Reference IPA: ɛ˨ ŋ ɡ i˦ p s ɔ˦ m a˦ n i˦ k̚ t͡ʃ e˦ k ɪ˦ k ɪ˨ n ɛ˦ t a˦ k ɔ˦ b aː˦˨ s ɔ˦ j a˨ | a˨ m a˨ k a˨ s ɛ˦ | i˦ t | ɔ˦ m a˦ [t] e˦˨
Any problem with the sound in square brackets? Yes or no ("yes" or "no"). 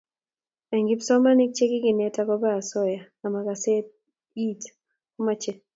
yes